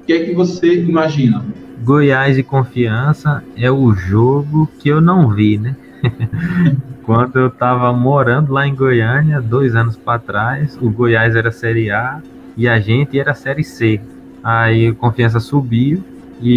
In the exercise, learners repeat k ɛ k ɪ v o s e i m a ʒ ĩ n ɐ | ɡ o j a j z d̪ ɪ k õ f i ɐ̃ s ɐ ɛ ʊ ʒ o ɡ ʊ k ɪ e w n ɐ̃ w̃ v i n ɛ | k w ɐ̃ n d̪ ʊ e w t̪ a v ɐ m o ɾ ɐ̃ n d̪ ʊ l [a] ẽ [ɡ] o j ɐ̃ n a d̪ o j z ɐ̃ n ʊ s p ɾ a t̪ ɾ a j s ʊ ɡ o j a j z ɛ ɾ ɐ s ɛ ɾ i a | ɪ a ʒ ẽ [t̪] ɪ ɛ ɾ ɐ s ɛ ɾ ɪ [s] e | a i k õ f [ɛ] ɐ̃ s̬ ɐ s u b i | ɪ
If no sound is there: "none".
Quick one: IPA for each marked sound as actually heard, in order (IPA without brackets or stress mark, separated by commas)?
a, ɡ, t̪, s, i